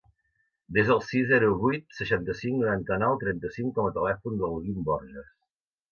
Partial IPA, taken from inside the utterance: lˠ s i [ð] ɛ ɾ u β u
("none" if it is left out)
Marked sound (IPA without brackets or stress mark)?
z